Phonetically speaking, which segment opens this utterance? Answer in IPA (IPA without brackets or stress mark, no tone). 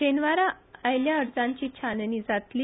e